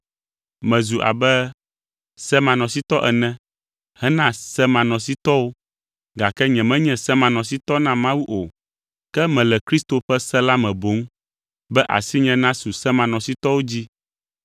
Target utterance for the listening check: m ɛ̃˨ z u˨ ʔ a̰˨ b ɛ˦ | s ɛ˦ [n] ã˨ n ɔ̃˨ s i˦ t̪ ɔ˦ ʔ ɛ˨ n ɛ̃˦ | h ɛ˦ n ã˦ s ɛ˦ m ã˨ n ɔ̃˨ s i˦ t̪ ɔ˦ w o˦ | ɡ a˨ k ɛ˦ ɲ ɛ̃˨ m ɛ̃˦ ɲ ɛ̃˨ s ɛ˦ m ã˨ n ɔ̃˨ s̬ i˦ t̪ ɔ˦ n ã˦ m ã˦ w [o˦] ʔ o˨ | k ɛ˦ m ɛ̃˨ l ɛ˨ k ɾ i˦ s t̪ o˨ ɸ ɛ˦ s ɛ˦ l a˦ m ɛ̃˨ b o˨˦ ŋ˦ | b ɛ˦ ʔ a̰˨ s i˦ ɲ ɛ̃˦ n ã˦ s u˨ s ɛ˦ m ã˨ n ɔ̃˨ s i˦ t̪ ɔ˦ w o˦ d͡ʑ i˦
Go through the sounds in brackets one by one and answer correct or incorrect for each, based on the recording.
incorrect, incorrect

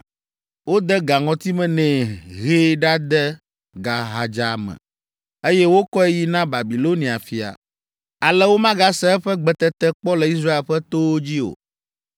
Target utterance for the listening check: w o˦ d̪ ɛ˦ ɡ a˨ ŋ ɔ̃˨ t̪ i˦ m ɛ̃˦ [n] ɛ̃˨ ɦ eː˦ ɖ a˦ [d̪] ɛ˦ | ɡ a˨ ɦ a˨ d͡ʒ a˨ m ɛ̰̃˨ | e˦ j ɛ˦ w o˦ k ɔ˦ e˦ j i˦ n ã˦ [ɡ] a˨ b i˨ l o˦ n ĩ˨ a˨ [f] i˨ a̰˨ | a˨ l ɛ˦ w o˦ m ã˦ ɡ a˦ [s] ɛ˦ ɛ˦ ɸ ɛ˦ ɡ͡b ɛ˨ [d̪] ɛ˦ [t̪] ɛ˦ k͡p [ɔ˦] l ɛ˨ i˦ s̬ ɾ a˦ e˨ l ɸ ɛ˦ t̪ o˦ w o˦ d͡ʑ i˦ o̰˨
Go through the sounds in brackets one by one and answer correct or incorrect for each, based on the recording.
correct, correct, incorrect, correct, correct, incorrect, correct, correct

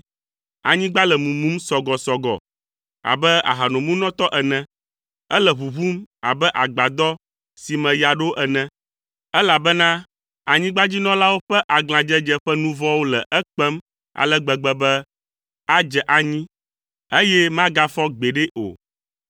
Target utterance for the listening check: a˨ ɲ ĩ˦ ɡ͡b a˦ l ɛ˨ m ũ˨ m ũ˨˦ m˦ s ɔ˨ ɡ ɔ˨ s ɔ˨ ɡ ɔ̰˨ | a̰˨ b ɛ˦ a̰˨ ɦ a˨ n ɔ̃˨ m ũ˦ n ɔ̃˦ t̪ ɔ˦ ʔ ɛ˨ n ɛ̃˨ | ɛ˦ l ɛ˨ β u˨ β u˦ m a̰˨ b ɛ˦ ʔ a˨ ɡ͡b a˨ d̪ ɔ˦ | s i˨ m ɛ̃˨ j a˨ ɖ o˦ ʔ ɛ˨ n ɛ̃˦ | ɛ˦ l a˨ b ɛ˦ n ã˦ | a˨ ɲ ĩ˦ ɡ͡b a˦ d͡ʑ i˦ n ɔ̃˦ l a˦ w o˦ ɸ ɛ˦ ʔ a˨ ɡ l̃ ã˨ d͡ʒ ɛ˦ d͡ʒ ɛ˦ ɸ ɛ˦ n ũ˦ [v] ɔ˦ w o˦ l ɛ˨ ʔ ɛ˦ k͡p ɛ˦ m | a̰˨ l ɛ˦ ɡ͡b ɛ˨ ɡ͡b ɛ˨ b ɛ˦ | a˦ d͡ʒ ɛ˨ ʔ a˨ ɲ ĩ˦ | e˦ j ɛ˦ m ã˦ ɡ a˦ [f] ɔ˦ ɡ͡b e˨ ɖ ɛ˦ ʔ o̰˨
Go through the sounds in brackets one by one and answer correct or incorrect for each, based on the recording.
correct, correct

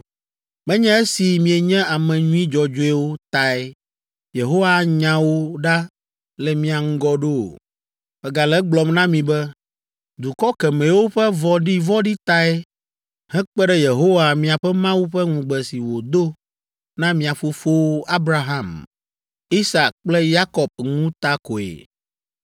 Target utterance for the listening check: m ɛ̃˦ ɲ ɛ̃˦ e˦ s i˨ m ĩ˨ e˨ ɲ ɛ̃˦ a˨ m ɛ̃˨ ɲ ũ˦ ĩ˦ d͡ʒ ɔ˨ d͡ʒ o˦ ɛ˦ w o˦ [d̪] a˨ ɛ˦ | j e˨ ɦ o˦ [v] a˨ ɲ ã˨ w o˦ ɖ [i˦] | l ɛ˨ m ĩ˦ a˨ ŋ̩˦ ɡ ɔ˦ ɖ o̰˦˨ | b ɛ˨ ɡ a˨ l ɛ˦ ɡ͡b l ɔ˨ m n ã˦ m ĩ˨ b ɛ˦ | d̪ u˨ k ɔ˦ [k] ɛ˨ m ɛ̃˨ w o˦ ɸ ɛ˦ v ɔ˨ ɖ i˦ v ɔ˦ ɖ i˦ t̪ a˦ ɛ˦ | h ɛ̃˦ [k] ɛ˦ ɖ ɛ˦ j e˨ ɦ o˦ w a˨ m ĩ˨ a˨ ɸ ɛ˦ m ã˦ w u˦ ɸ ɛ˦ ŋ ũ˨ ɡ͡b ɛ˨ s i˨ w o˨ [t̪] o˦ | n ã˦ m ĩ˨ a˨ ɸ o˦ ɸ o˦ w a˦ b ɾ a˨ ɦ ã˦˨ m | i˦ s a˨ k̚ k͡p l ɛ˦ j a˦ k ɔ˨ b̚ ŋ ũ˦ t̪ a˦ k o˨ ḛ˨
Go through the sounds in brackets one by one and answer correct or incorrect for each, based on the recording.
incorrect, incorrect, incorrect, correct, incorrect, incorrect

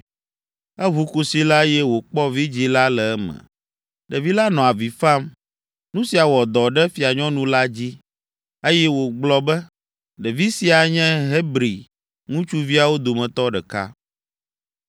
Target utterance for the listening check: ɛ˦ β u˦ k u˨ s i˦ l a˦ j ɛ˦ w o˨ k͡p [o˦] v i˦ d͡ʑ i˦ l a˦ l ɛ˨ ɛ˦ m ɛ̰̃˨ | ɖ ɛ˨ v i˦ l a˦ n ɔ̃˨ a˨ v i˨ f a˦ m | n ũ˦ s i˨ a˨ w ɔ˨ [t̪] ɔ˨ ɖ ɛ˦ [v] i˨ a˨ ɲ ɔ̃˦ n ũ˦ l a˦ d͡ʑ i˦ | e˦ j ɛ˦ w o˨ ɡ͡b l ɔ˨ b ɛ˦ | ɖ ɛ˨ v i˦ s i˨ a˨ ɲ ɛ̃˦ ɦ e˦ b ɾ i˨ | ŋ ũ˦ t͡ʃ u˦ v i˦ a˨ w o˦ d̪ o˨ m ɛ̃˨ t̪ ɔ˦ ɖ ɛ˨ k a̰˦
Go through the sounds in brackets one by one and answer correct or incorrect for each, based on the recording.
incorrect, incorrect, incorrect

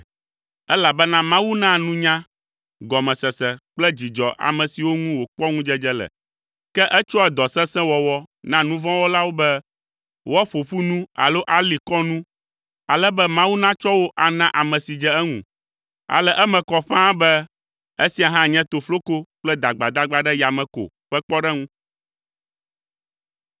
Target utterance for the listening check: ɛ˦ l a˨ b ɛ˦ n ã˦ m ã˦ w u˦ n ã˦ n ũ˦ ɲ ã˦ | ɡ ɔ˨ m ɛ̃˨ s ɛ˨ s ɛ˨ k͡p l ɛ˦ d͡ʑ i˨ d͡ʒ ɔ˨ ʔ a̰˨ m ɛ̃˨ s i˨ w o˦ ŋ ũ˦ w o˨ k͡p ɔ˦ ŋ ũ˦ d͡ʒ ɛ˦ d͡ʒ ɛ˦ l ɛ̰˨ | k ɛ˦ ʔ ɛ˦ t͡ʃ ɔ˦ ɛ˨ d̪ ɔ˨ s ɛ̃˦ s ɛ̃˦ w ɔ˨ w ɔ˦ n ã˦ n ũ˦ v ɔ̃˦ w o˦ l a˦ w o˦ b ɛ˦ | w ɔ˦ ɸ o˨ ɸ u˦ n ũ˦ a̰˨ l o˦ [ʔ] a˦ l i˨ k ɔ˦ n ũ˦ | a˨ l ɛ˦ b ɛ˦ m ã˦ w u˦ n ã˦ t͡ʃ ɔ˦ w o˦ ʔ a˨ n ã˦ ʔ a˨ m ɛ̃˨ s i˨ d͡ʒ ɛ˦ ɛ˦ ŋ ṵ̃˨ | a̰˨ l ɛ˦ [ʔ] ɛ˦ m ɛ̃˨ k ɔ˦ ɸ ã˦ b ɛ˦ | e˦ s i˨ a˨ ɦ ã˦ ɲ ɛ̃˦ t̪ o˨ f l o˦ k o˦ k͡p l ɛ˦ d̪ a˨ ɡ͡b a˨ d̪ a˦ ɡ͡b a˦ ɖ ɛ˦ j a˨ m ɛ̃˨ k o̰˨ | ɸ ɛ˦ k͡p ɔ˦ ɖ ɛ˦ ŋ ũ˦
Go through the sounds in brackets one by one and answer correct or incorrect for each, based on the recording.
correct, correct

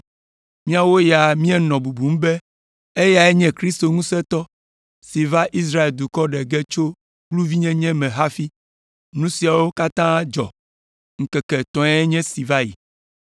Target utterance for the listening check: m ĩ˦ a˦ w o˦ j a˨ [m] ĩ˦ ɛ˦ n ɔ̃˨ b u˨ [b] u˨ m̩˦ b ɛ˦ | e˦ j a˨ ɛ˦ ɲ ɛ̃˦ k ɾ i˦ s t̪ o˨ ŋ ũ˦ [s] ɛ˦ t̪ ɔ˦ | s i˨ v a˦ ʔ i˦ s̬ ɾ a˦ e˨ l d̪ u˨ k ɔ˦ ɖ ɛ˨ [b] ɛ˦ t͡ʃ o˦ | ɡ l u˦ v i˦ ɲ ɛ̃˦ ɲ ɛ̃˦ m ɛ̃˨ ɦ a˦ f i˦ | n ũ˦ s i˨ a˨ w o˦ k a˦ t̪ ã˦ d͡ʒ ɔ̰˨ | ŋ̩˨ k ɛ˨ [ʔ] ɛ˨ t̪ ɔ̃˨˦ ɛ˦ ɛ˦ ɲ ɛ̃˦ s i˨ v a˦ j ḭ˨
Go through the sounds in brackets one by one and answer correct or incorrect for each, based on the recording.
correct, correct, correct, incorrect, incorrect

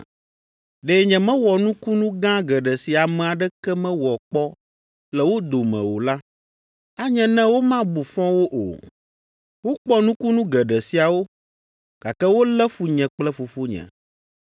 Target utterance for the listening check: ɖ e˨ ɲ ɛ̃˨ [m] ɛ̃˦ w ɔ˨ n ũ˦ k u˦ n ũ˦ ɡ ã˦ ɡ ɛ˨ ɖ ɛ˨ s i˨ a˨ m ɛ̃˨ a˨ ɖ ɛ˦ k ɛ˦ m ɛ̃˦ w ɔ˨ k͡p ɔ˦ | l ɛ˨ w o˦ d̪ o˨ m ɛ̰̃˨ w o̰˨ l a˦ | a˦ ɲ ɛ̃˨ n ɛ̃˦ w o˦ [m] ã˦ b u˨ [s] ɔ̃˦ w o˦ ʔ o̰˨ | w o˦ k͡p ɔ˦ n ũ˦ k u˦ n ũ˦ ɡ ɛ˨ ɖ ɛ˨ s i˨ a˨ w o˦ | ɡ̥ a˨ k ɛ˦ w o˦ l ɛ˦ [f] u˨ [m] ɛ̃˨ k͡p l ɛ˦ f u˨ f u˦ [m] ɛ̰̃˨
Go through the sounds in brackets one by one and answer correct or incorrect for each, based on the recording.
correct, correct, incorrect, correct, incorrect, incorrect

